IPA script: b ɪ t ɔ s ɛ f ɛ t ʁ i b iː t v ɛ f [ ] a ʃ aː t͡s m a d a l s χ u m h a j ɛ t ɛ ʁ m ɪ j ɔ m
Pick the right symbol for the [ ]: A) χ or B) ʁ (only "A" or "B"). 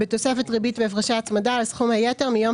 B